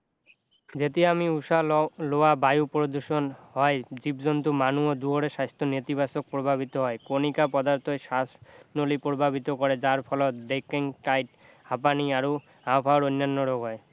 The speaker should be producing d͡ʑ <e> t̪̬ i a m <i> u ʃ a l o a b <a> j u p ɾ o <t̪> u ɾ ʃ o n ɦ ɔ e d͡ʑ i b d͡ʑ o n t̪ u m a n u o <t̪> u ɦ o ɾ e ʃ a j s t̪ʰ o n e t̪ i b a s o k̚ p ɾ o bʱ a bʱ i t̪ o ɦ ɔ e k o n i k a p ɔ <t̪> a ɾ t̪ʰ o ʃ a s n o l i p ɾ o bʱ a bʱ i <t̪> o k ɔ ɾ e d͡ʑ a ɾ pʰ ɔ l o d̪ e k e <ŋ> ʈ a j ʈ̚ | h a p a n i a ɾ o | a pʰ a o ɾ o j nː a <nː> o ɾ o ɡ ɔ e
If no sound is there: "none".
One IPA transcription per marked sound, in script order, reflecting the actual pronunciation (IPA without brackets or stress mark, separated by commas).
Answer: e, i, a, d̪, d̪, d̪, t̪, ŋ, nː